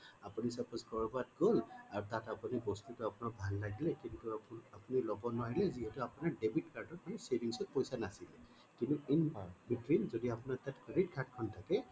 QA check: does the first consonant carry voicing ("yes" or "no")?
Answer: no